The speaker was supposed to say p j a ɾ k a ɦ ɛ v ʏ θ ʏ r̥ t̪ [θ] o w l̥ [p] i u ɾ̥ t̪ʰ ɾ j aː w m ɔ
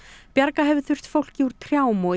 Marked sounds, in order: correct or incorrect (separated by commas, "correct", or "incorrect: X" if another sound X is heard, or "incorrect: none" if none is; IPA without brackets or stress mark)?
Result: incorrect: f, incorrect: c